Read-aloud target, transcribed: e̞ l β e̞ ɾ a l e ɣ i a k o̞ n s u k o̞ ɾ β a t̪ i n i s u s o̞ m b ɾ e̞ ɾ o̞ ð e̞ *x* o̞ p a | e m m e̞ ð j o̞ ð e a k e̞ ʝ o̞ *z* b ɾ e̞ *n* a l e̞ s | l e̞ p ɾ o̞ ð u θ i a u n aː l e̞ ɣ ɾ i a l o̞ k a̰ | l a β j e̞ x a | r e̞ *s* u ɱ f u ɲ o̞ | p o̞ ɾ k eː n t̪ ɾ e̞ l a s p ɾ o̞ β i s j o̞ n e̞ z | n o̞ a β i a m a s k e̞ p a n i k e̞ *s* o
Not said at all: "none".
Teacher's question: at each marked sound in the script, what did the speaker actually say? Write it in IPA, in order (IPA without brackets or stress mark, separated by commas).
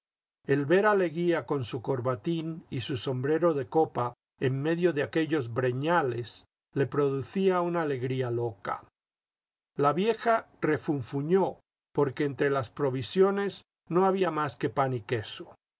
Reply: k, z, ɲ, f, s